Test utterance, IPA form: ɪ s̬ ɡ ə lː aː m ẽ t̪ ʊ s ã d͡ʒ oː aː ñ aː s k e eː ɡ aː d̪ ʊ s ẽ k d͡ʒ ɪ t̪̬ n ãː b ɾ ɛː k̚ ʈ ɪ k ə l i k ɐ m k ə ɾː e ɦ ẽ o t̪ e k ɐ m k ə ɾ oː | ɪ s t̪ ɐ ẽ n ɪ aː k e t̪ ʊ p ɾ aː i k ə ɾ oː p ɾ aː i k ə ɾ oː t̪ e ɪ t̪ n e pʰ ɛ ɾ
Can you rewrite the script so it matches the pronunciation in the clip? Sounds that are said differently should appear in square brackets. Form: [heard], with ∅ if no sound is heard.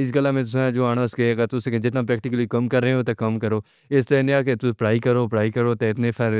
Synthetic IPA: ɪ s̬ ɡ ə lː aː m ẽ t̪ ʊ s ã d͡ʒ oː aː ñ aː s k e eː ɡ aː [t̪] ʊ s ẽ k d͡ʒ ɪ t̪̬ n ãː [p] ɾ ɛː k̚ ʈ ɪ k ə l i k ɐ m k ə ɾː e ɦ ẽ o t̪ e k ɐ m k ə ɾ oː | ɪ s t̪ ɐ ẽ n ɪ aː k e t̪ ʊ p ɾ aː i k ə ɾ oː p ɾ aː i k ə ɾ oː t̪ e ɪ t̪ n e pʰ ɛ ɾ